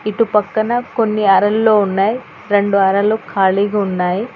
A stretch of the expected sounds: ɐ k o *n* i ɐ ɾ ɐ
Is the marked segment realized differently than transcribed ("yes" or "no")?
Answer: yes